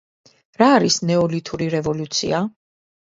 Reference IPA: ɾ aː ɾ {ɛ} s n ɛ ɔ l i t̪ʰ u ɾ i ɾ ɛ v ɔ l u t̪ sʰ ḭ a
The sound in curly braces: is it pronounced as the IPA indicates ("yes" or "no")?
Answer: no